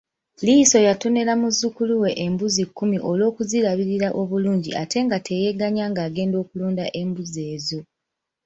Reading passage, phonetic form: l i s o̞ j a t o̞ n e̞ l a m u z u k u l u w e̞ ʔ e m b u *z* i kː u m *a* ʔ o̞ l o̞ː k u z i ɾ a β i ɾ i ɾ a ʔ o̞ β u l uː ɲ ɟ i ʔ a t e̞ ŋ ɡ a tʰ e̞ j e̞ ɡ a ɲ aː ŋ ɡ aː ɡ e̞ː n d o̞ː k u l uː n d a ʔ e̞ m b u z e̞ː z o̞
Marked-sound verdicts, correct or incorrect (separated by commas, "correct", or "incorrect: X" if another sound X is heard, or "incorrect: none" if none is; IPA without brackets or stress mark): correct, incorrect: i